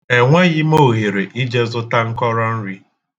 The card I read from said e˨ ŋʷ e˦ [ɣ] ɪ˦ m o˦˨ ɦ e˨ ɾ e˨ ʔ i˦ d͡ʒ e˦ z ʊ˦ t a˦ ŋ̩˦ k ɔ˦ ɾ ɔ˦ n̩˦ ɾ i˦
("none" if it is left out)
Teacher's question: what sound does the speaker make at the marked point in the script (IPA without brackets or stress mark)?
ɣ